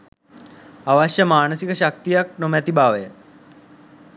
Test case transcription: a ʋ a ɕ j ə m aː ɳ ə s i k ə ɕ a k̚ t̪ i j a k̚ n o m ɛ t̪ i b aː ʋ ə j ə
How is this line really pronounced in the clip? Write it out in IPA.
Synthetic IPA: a ʋ a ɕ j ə m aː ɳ ə s i k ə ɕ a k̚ t̪ i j a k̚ n o m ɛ t̪ i b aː ʋ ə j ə